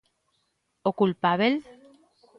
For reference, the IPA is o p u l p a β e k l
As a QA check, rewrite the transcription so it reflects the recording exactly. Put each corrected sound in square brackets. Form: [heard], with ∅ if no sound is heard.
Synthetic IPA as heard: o [k] u l p a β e [∅] l